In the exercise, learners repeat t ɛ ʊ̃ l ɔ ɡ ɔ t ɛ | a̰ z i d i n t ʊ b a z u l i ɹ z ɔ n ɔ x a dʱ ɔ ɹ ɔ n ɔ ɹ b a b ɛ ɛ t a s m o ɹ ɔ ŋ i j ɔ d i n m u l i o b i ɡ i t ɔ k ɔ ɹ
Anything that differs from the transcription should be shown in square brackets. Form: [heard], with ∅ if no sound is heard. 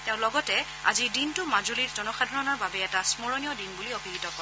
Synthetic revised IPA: t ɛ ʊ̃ l ɔ ɡ ɔ t ɛ | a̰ z i d i n t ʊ [m] a z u l i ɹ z ɔ n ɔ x a dʱ ɔ ɹ ɔ n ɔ ɹ b a b ɛ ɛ t a s m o ɹ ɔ [n] i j ɔ d i n [b] u l i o b i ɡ i t ɔ k ɔ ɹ